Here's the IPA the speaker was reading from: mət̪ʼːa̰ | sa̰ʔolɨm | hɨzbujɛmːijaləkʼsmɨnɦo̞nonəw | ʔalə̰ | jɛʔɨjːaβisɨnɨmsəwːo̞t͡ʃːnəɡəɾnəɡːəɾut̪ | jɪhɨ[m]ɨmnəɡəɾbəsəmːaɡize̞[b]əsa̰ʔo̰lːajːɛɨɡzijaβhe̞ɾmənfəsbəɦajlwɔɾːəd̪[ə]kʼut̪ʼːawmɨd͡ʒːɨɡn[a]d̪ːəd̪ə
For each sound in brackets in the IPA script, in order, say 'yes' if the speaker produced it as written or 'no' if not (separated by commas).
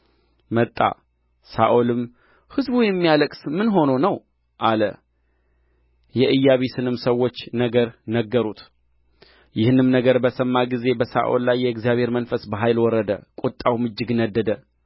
no, yes, yes, no